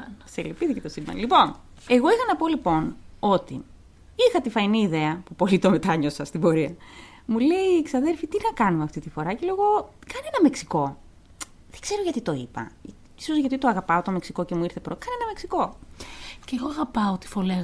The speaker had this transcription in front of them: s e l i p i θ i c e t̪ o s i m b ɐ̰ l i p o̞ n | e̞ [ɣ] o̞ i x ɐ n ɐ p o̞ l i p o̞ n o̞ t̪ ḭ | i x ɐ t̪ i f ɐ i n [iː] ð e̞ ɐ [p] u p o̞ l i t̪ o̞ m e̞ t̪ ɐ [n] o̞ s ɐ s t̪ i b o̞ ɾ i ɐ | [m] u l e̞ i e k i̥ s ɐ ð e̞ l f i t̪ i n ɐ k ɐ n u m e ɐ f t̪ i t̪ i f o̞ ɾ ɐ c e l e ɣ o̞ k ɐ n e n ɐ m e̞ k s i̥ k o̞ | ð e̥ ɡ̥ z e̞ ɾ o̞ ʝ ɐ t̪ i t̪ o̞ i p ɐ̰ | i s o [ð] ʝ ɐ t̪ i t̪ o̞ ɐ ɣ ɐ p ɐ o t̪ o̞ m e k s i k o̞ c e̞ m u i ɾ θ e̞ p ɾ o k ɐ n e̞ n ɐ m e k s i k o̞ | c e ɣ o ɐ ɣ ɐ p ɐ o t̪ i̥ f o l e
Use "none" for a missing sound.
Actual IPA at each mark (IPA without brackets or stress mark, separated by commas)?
ɣ, iː, p, ɲ, m, z